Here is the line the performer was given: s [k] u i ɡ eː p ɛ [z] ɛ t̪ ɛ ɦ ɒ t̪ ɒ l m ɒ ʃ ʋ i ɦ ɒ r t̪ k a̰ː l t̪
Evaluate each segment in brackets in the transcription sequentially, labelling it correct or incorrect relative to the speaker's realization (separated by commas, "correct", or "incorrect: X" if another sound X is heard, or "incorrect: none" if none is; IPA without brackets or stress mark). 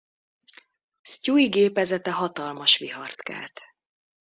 incorrect: c, correct